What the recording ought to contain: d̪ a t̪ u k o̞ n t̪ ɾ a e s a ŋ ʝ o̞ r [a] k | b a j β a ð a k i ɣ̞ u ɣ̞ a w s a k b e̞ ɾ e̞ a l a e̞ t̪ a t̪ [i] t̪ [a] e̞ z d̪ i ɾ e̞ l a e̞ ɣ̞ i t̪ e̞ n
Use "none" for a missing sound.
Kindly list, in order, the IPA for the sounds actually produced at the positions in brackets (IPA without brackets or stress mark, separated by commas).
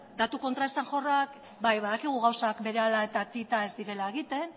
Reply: a, i, a